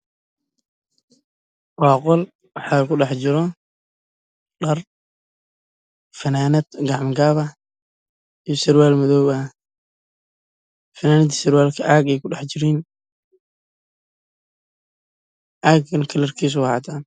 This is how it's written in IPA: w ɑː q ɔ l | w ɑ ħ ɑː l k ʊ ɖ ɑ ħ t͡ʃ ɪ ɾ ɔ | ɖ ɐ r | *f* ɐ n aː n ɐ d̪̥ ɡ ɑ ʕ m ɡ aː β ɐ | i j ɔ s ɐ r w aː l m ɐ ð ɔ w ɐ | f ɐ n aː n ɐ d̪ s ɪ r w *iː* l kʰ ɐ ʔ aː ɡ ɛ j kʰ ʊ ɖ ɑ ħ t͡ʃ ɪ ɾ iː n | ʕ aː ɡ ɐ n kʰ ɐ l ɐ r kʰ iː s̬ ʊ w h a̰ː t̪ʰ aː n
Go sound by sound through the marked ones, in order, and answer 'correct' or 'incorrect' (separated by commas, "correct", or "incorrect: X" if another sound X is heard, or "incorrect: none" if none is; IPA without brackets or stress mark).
correct, incorrect: aː